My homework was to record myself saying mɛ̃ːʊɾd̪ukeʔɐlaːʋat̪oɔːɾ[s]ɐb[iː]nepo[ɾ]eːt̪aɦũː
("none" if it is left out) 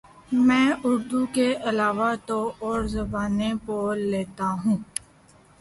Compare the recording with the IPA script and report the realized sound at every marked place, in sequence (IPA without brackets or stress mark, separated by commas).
z, aː, l